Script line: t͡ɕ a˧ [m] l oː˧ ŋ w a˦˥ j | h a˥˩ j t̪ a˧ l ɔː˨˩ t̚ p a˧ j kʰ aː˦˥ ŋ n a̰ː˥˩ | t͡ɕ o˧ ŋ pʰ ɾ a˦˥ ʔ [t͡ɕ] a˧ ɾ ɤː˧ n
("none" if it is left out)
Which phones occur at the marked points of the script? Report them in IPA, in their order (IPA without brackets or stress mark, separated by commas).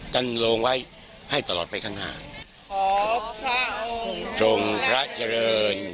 n, t͡ɕ